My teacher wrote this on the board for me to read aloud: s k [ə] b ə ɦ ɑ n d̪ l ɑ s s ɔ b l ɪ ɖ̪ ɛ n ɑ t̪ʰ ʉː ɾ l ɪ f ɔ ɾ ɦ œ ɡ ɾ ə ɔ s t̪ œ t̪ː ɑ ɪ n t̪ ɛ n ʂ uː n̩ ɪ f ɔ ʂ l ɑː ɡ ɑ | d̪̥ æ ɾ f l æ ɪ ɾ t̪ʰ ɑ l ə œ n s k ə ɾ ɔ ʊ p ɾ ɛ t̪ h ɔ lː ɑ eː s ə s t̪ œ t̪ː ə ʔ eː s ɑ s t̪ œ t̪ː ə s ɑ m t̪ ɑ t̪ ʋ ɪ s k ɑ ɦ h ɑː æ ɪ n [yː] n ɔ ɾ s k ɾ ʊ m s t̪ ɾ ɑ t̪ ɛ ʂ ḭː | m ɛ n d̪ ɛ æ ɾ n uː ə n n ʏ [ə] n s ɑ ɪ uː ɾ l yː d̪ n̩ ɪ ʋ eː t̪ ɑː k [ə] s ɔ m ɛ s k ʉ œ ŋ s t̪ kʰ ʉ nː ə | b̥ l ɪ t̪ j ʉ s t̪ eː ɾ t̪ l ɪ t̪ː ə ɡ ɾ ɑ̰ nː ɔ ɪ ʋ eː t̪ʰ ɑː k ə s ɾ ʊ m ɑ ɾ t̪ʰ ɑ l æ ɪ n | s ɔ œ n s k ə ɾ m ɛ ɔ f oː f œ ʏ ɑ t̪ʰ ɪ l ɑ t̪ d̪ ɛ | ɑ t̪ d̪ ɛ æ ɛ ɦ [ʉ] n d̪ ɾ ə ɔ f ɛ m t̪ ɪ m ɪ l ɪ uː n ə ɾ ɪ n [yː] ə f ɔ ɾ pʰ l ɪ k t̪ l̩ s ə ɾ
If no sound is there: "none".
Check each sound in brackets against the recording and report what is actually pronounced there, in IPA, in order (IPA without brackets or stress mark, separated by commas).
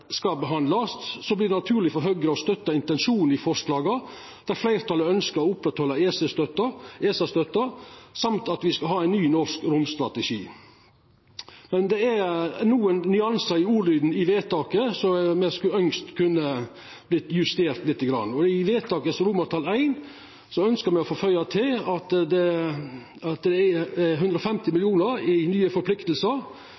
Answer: ɑ, yː, ɑ, ə, ʉ, yː